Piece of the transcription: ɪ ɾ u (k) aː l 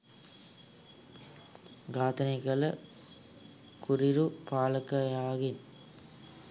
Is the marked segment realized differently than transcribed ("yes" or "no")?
yes